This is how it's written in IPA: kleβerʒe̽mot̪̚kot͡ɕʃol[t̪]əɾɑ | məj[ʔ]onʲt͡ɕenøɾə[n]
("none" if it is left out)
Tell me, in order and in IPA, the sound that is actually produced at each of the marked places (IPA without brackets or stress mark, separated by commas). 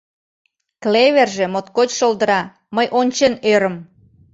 d̪, ʔ, m